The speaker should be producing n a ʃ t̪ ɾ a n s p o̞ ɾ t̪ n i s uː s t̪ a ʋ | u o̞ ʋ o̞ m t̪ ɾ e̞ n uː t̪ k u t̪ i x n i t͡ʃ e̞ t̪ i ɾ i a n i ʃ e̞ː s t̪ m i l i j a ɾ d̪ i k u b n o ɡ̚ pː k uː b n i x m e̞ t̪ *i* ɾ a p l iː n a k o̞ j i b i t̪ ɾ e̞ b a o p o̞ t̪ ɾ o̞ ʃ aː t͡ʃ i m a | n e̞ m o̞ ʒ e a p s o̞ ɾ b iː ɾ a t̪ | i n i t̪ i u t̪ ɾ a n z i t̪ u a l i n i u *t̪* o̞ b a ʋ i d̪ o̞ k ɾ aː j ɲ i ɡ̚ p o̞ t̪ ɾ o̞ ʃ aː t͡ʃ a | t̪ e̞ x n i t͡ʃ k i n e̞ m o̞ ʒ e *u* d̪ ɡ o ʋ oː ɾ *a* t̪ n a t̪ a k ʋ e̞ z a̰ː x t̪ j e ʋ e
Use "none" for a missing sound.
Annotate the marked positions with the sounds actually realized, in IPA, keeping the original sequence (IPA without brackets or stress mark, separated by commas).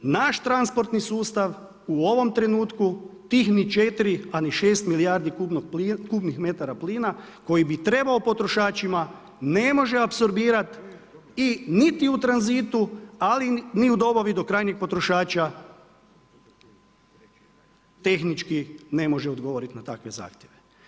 a, d̪, o, i